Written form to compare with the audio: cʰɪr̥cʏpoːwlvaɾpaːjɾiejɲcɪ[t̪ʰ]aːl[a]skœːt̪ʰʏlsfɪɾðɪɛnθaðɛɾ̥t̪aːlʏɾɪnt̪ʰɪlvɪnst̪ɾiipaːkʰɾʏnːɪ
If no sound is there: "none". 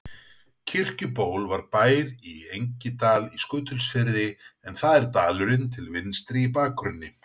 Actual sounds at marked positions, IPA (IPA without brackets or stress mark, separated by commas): t̪, i